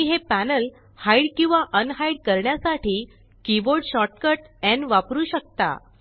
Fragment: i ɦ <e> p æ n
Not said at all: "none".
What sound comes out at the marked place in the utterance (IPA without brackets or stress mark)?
e